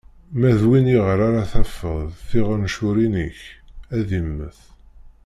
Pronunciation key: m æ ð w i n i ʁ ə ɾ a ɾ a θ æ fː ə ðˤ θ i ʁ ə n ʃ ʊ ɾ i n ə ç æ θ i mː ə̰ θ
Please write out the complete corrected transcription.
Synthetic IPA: m æ ð w i n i ʁ ə ɾ a ɾ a θ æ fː ə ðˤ θ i ʁ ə n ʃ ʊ ɾ i n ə ç æ ð i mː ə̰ θ